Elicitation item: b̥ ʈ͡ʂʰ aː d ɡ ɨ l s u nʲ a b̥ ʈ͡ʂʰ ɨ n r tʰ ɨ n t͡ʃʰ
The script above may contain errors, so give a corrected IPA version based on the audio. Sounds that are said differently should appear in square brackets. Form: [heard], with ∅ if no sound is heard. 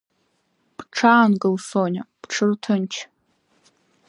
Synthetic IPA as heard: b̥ ʈ͡ʂʰ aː [n] ɡ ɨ l s [o] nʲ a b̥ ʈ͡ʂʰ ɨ [∅] r tʰ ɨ n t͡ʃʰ